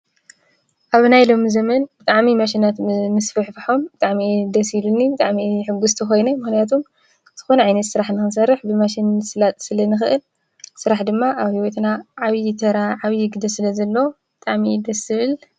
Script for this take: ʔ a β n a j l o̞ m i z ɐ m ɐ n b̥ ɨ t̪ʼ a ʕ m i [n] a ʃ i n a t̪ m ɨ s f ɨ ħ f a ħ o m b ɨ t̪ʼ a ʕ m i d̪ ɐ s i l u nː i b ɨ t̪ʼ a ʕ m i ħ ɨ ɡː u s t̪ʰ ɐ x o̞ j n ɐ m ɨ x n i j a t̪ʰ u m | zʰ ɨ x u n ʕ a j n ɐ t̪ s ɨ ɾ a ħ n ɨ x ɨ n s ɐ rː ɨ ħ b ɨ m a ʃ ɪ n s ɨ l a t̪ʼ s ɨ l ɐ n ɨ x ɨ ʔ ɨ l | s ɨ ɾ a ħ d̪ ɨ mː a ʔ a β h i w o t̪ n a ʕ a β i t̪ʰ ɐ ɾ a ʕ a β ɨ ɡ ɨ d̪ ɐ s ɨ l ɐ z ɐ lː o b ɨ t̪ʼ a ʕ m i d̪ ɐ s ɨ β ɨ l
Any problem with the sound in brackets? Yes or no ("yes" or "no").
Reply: yes